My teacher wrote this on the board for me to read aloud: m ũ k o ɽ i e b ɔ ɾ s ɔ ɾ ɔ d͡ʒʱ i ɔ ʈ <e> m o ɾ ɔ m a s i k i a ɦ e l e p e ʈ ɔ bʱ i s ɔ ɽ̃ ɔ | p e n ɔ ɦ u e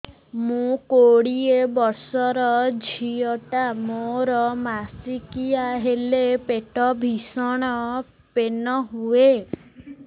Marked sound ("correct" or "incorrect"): incorrect